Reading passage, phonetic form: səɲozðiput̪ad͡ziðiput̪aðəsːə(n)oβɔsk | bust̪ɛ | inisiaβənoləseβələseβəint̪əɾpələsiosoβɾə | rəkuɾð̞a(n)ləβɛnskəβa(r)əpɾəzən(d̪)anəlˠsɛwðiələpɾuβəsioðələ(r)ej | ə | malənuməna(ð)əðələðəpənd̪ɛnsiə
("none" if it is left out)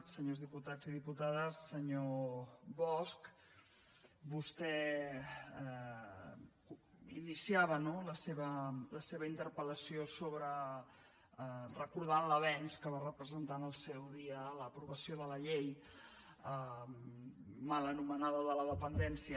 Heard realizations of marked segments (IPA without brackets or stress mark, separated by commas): ɲ, n, r, t̪, ʎ, ð